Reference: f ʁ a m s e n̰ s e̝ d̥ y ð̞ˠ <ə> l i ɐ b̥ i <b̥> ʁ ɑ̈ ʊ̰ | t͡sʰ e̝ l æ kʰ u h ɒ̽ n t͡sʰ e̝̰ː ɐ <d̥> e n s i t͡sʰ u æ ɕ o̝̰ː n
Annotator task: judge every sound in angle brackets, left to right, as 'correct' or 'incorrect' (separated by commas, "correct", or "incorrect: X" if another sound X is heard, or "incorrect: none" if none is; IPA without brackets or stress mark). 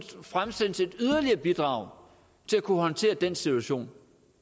incorrect: ɐ, incorrect: d̥, correct